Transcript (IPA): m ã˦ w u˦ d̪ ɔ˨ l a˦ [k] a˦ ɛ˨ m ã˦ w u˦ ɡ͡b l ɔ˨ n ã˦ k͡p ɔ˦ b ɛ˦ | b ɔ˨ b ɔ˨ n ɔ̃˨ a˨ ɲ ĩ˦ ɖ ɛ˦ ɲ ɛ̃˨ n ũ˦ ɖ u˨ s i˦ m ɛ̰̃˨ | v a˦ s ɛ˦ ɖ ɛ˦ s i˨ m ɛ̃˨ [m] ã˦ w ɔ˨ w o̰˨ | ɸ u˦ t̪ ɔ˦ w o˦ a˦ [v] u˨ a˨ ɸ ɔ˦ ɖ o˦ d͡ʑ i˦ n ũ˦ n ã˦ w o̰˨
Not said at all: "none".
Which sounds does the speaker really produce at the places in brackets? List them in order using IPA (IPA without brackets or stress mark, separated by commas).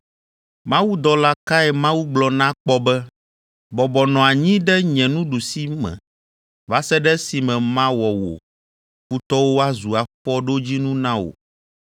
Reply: k, m, z